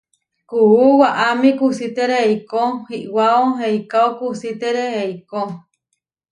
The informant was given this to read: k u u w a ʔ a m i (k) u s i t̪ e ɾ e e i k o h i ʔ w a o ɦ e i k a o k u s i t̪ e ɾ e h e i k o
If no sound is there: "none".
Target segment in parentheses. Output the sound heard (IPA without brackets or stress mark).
k